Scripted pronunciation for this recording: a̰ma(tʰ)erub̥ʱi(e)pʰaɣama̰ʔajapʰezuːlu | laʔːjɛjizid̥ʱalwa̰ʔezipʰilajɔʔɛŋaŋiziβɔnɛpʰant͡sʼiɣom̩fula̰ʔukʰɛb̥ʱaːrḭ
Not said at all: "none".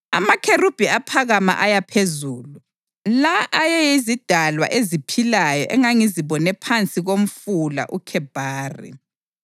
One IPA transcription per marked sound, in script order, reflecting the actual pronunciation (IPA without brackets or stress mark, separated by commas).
kʰ, a